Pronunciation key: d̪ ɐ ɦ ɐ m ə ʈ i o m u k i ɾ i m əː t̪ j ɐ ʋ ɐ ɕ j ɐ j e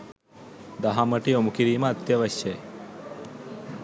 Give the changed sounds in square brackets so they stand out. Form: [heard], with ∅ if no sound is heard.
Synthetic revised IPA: d̪ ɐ ɦ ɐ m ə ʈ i o m u k i ɾ [iː] m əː t̪ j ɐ ʋ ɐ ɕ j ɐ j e